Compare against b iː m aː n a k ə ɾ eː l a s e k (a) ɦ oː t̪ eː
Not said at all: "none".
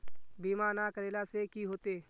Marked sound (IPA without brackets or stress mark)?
i